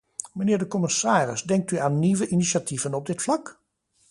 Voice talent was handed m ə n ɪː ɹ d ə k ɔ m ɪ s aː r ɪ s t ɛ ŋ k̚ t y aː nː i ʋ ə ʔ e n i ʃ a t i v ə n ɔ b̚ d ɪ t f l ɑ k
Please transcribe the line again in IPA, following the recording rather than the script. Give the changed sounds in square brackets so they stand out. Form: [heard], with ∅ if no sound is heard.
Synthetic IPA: m ə n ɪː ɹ d ə k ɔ m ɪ s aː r ɪ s [d] ɛ ŋ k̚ t y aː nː i ʋ ə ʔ [i] n i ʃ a t i v ə n ɔ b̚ d ɪ t f l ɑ k